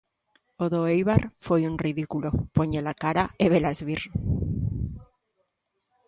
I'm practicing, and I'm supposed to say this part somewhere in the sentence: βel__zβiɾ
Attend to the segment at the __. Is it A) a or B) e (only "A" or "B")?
A